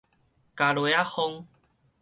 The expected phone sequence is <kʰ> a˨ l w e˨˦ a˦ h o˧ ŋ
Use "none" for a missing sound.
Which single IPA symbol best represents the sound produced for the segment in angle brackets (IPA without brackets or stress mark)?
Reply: k